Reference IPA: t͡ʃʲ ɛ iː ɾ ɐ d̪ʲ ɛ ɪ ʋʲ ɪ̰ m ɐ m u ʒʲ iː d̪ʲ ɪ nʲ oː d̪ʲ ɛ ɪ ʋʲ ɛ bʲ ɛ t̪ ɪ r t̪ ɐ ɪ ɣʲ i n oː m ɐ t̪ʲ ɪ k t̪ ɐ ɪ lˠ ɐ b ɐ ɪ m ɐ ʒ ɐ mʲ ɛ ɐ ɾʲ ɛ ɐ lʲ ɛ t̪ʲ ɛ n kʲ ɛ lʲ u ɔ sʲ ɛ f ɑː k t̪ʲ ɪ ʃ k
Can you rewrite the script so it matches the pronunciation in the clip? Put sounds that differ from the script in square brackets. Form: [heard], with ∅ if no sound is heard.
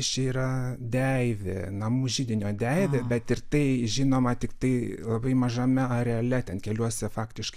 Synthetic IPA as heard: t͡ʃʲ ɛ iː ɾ ɐ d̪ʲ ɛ ɪ ʋʲ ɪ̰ [n] ɐ m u ʒʲ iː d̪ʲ ɪ nʲ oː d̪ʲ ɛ ɪ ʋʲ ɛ bʲ ɛ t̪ ɪ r t̪ ɐ ɪ [ʒʲ] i n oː m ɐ t̪ʲ ɪ k t̪ ɐ ɪ lˠ ɐ b ɐ ɪ m ɐ ʒ ɐ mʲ ɛ ɐ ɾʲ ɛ ɐ lʲ ɛ t̪ʲ ɛ n kʲ ɛ lʲ u ɔ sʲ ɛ f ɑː k t̪ʲ ɪ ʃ k